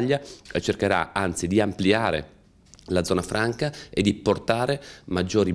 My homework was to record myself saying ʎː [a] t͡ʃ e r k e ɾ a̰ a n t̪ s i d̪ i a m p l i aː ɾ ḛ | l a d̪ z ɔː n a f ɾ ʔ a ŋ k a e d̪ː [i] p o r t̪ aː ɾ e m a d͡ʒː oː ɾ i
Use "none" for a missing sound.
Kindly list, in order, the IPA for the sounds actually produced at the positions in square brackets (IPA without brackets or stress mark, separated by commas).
a, i